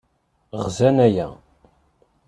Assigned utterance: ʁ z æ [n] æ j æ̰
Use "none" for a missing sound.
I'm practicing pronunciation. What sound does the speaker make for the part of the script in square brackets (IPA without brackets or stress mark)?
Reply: n